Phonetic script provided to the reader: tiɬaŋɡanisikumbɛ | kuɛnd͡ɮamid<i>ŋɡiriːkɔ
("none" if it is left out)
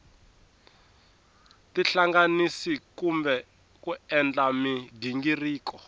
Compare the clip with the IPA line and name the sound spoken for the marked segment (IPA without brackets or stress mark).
i